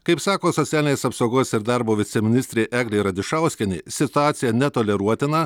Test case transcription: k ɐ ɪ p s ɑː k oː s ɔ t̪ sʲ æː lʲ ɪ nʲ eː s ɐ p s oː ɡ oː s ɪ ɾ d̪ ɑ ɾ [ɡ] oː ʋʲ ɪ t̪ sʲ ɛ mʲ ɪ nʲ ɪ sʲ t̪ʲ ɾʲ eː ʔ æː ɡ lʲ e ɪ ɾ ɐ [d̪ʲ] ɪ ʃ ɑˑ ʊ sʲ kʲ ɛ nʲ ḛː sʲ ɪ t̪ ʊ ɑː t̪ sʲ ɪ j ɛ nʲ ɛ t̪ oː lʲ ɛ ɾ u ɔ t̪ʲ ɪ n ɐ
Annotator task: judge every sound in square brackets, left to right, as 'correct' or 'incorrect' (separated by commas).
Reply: incorrect, correct